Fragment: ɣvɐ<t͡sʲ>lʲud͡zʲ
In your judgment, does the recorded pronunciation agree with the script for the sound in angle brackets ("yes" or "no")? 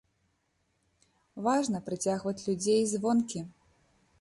yes